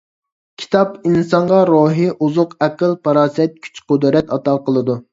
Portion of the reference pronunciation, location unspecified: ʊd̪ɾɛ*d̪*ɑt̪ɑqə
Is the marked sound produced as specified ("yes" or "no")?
no